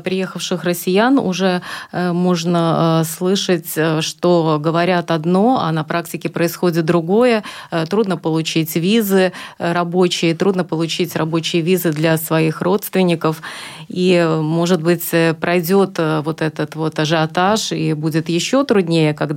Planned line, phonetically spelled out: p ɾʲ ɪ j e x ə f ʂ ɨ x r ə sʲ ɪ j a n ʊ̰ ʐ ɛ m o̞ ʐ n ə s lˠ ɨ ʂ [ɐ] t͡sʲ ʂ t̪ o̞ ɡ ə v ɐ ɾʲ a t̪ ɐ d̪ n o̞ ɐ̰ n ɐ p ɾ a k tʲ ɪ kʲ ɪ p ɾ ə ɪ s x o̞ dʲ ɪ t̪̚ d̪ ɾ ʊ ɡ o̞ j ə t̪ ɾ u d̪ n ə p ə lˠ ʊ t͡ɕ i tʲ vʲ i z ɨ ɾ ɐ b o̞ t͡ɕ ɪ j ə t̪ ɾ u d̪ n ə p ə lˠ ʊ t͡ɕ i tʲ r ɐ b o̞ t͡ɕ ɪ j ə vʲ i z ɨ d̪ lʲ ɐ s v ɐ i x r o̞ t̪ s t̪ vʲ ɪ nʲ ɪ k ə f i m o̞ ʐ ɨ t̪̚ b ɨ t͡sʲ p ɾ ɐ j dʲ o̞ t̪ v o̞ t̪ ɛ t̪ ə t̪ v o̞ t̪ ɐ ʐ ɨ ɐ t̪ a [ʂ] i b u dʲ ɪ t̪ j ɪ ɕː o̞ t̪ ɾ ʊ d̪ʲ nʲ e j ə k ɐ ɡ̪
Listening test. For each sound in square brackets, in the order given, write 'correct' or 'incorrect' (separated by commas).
incorrect, correct